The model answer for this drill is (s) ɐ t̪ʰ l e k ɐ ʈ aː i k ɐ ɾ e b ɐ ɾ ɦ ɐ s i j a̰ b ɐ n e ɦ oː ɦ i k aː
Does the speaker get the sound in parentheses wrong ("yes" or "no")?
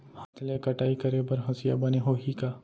yes